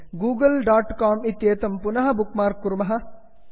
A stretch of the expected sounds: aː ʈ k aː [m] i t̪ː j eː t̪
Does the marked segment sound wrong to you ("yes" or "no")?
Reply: no